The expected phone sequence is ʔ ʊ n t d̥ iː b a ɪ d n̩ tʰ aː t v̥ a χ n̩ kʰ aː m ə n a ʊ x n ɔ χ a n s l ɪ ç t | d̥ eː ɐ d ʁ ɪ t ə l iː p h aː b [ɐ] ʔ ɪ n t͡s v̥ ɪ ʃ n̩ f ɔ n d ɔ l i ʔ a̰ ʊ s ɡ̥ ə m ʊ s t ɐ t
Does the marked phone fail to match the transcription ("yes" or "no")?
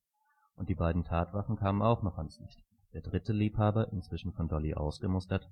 no